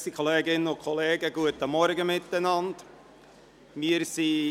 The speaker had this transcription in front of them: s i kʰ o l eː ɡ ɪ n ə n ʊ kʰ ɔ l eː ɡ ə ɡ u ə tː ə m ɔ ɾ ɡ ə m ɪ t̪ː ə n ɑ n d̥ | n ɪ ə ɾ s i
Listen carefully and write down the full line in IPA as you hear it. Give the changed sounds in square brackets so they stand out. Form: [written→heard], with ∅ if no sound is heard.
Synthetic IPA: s i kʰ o l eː ɡ ɪ n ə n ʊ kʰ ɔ l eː ɡ ə ɡ u ə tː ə m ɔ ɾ ɡ ə m ɪ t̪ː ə n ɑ n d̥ | [n→m] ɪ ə ɾ s i